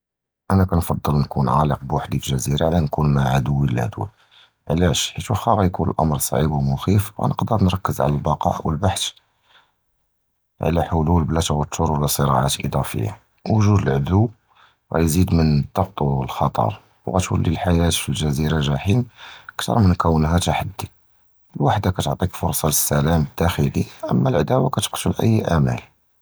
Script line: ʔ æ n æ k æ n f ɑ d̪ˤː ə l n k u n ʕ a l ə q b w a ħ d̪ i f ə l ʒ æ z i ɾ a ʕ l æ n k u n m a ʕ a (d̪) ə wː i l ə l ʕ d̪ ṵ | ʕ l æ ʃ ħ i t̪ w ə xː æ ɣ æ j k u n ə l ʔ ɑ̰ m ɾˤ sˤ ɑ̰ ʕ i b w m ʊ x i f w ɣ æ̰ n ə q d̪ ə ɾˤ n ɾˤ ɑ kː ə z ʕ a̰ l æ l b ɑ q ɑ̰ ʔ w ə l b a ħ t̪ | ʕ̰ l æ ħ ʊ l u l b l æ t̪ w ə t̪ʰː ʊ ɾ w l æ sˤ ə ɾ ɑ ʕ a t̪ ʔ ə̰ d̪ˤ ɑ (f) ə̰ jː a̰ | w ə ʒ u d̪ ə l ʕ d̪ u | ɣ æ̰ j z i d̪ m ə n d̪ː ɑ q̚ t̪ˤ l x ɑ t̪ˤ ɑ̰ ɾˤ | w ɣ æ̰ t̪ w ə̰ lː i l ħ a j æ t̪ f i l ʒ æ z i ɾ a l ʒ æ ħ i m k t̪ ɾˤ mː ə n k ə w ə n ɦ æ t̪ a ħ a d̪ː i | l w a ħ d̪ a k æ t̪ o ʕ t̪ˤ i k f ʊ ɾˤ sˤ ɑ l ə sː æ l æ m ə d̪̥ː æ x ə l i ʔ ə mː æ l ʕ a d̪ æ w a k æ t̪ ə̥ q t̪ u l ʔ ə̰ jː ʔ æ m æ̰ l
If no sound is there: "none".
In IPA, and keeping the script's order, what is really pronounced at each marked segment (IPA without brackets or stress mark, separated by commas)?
d̪, f